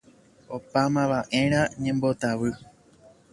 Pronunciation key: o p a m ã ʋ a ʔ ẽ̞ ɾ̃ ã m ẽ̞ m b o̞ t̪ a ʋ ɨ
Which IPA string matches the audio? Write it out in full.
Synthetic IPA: o p a m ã ʋ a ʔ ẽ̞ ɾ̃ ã ɲ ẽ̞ m b o̞ t̪ a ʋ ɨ